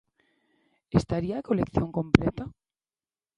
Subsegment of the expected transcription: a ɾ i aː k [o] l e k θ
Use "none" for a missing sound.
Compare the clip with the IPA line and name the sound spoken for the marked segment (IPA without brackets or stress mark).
o